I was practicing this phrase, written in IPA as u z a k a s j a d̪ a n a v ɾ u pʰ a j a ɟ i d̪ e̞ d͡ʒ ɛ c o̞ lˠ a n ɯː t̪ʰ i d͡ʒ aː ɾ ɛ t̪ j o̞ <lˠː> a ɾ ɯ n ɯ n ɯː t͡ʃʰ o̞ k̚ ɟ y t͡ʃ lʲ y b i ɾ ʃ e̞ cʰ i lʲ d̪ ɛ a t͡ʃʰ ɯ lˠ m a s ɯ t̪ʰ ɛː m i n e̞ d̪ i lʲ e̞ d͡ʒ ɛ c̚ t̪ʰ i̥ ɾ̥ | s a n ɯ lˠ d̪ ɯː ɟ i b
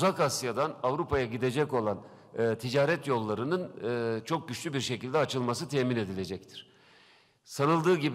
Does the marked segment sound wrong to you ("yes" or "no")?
no